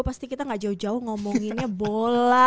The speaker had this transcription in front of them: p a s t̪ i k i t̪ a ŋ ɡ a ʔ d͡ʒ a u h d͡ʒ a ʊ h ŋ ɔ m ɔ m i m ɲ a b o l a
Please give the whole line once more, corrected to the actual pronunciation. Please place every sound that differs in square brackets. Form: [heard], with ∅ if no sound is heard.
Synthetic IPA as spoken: p a s t̪ i k i t̪ a ŋ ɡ a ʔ d͡ʒ a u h d͡ʒ a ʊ h ŋ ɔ m ɔ [ŋ] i [n] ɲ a b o l a